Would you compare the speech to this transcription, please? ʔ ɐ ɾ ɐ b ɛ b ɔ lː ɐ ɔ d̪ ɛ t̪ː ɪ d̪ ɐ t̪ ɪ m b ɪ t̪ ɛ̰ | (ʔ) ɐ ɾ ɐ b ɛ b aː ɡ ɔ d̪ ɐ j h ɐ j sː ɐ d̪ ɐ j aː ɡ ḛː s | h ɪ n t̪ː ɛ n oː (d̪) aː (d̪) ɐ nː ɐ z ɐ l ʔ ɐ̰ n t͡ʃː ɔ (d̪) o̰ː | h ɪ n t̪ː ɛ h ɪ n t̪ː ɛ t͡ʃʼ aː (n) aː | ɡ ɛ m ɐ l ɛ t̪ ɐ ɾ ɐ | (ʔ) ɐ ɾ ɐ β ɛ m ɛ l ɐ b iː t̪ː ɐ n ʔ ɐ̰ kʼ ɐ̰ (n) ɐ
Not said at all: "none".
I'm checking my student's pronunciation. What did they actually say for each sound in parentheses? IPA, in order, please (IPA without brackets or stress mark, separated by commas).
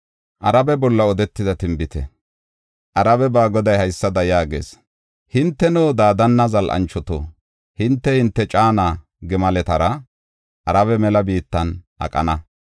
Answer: ʔ, d̪, d̪, t̪, n, ʔ, n